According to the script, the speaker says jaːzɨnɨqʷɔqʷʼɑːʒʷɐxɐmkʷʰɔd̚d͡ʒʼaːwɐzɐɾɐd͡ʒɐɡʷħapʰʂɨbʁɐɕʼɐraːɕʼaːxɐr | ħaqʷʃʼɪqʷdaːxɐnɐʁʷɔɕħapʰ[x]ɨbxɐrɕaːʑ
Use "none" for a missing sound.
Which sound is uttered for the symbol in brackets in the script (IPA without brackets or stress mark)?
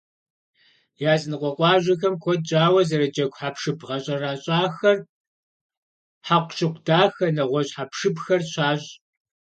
ʂ